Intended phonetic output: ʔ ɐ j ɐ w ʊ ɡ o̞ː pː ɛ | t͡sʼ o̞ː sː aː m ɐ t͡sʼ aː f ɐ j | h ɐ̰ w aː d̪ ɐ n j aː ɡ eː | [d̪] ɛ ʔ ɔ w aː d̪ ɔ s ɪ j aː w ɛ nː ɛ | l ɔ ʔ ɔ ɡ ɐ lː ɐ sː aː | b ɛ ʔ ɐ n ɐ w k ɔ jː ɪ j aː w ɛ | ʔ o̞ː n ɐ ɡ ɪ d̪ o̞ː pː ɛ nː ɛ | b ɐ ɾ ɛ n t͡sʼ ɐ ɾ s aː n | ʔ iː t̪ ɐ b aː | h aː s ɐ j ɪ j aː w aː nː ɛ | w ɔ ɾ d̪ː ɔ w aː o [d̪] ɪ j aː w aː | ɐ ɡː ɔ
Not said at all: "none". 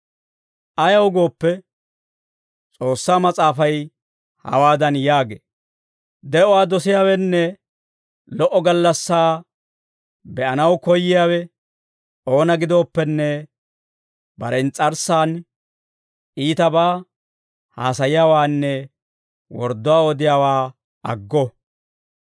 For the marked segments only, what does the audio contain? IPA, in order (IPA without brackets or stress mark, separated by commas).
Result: d̪, d̪